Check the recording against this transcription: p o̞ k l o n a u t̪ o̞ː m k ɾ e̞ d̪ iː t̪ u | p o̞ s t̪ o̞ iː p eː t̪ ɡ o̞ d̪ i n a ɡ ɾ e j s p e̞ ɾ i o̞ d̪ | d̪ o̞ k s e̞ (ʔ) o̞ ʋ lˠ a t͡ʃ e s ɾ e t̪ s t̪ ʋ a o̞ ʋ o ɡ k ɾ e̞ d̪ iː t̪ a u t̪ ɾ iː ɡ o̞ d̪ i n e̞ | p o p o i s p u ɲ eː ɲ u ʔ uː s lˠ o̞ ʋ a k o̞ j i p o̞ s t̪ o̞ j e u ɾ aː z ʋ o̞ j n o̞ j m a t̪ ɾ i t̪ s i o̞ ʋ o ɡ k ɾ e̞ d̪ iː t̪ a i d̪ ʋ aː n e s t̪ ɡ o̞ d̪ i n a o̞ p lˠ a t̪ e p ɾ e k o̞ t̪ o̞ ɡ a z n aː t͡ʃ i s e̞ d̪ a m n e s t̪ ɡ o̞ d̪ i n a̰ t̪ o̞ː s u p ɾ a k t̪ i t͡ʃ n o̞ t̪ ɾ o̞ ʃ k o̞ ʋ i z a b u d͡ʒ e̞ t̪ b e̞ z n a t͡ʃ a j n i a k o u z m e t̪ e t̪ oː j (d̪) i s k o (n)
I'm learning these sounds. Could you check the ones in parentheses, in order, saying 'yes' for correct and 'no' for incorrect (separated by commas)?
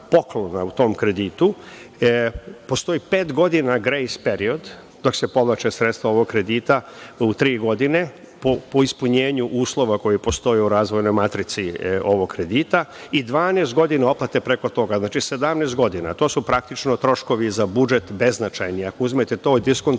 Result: no, yes, yes